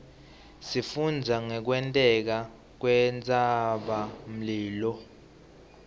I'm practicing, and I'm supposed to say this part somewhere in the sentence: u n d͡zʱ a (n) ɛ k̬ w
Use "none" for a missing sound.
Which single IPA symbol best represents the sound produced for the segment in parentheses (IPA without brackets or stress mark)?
ŋ